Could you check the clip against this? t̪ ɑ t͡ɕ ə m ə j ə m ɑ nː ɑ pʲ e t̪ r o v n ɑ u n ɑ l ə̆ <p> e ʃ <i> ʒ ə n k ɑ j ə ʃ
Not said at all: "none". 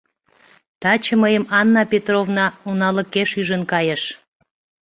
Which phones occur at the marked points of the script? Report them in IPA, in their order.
k, y

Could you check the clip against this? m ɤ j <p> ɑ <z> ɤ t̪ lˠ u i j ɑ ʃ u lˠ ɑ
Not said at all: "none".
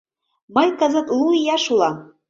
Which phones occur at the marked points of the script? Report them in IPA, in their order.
k, z

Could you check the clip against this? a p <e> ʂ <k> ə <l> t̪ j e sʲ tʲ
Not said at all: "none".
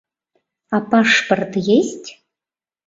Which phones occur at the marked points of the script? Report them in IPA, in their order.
a, p, r

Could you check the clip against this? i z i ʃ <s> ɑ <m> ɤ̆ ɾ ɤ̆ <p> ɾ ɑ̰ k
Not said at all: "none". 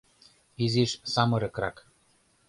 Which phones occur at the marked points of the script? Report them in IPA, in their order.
s, m, k

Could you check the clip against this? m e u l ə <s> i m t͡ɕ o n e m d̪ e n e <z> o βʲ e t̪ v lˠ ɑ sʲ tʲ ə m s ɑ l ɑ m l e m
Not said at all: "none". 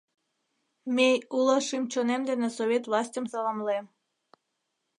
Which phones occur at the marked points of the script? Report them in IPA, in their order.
ʃ, s

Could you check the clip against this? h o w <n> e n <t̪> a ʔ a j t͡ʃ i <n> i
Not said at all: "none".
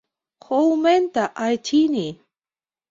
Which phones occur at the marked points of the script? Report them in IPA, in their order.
m, t̪, n

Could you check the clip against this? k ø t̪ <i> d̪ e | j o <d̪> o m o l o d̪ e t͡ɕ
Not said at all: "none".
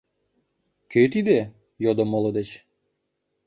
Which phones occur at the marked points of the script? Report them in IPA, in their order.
i, d̪

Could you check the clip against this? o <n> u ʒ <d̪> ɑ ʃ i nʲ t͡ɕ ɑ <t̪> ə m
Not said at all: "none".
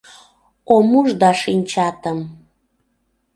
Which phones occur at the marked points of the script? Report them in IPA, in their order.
m, d̪, t̪

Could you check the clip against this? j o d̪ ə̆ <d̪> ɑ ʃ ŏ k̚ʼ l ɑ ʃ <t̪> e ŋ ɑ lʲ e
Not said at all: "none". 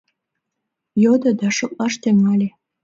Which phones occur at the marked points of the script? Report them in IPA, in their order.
d̪, t̪

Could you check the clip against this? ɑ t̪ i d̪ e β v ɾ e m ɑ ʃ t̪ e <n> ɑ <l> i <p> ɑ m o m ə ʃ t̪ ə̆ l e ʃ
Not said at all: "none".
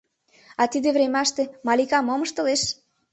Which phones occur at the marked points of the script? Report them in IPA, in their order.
m, l, k

